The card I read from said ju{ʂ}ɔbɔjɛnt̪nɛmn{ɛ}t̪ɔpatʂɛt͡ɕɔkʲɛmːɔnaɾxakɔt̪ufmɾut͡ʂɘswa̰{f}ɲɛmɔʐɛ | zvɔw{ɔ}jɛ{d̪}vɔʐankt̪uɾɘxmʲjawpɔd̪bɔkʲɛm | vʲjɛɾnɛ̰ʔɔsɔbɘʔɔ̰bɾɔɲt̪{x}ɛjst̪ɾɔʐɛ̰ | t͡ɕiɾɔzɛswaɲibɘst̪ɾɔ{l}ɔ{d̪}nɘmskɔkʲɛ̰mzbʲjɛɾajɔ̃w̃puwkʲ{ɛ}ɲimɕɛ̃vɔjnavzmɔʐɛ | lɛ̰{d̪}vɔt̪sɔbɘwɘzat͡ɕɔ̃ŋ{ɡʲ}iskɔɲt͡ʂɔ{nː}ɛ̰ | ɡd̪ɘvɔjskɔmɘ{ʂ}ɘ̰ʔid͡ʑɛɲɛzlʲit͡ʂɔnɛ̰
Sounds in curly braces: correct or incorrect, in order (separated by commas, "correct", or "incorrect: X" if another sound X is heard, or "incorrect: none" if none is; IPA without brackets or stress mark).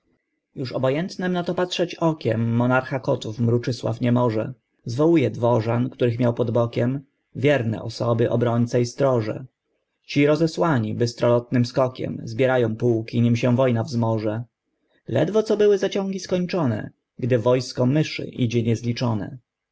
correct, incorrect: a, correct, incorrect: u, correct, incorrect: s, correct, incorrect: t̪, incorrect: i, correct, correct, incorrect: n, correct